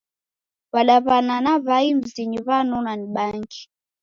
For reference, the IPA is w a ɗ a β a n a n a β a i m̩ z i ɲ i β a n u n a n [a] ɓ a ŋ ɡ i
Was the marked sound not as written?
yes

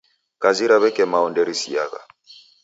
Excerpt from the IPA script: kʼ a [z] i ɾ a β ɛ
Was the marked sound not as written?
no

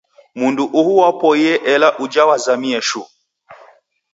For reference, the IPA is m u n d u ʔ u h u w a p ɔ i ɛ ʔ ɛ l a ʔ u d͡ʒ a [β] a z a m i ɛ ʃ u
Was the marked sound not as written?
yes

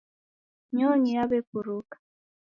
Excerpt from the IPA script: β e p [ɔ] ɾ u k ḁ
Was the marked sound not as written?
yes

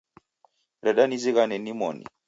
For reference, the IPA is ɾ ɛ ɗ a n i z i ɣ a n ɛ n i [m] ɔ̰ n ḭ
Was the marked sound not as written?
no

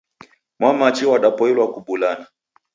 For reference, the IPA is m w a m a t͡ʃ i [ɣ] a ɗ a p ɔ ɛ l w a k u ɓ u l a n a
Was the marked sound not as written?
yes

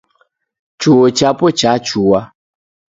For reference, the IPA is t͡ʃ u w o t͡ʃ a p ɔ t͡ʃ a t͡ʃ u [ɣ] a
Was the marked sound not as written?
yes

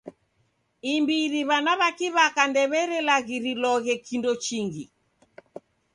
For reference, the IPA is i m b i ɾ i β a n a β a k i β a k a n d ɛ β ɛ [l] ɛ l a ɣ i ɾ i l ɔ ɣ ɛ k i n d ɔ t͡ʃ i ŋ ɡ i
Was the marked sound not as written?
yes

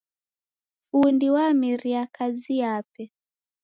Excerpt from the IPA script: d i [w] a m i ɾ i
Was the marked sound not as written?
no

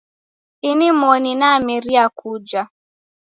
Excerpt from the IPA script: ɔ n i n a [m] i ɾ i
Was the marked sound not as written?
no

